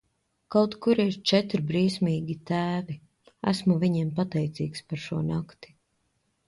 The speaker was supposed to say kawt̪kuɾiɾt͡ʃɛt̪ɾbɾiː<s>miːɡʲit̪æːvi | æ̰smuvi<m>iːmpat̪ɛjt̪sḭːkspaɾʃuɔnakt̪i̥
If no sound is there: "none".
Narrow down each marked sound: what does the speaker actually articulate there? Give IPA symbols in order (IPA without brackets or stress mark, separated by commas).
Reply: s, ɲ